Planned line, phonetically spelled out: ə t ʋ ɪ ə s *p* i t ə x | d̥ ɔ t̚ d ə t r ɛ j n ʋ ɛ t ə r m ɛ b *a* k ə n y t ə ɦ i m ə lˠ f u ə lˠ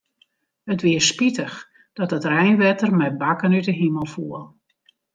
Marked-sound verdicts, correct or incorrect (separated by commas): correct, correct